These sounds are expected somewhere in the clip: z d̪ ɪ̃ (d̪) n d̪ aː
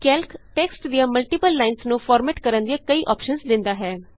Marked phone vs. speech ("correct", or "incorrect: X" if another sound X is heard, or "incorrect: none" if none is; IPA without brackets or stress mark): incorrect: none